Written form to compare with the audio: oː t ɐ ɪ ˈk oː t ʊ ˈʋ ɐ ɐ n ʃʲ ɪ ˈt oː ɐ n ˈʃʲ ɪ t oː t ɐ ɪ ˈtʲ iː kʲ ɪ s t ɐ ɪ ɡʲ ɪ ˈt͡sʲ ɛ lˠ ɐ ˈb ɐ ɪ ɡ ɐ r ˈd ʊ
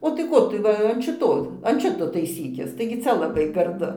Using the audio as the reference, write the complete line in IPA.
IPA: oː t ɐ ɪ ˈk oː t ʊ ˈʋ ɐ ɐ n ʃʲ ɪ ˈt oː ɐ n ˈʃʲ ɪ t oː t ɐ ɪ ˈsʲ iː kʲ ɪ s t ɐ ɪ ɡʲ ɪ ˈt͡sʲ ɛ lˠ ɐ ˈb ɐ ɪ ɡ ɐ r ˈd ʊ